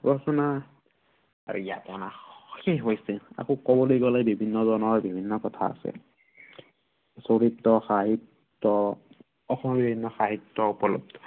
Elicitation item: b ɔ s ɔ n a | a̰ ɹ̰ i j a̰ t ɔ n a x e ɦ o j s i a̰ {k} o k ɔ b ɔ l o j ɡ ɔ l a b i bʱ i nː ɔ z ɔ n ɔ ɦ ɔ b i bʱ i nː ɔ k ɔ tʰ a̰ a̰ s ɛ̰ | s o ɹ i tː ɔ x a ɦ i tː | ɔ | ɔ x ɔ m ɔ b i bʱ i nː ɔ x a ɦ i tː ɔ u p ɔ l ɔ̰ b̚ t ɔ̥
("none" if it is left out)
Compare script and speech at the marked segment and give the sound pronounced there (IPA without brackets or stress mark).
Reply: k